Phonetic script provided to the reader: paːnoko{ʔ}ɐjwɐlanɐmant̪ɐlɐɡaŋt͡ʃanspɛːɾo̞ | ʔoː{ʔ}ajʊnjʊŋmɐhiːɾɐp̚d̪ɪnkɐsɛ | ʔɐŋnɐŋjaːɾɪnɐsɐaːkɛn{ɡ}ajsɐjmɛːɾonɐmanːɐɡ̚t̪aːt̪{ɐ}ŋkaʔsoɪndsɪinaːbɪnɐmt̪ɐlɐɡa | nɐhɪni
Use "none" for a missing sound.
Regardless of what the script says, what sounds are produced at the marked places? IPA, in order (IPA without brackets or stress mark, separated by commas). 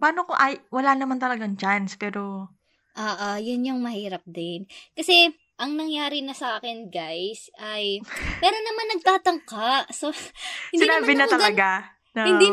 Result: ʔ, ʔ, ɡ, ɐ